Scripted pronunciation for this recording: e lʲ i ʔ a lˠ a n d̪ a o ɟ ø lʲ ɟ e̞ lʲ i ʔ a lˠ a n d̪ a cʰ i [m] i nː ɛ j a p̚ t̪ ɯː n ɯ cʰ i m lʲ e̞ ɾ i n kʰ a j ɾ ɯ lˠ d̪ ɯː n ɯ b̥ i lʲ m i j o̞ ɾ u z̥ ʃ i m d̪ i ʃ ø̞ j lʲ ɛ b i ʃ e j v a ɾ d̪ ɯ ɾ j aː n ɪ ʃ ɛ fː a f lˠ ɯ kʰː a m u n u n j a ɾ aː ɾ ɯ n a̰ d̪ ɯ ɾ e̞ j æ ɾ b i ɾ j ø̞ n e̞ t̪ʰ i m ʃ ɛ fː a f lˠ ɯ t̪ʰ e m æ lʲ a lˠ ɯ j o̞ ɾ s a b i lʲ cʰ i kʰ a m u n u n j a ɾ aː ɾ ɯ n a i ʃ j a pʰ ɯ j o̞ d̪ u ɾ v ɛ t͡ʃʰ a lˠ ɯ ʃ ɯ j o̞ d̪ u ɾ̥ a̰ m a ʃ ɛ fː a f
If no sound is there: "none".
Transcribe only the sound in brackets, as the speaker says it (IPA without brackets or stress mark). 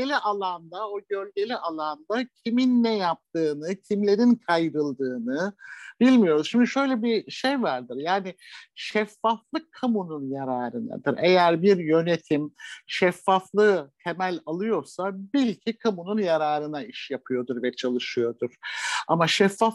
m